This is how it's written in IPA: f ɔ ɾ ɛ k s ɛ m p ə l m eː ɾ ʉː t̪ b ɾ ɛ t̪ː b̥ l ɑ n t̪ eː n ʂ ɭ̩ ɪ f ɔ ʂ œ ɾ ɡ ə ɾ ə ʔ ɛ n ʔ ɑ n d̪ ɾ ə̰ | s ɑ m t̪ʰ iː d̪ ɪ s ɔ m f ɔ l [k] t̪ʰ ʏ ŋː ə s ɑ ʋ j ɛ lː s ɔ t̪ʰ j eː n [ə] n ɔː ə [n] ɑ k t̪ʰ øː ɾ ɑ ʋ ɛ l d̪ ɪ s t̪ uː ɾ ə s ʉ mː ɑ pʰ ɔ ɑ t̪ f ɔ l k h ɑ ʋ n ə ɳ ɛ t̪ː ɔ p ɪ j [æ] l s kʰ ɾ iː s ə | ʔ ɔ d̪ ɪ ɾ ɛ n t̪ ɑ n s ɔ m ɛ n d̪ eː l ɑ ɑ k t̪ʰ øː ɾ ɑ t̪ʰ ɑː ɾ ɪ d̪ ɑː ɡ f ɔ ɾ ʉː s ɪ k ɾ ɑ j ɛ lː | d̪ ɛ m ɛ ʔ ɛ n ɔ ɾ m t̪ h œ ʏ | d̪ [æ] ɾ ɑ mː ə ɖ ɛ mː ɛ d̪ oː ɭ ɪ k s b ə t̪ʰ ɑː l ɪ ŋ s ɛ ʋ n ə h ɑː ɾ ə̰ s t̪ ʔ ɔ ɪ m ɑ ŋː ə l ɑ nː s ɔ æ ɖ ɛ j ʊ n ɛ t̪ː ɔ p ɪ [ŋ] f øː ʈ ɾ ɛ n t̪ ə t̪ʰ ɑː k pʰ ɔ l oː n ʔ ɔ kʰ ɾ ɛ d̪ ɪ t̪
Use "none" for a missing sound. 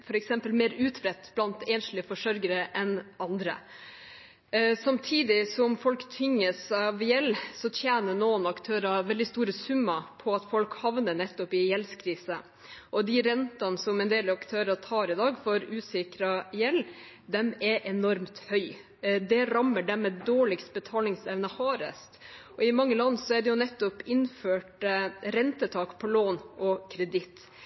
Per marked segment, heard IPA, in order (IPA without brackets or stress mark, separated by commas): k, ə, n, ɛ, ɛ, n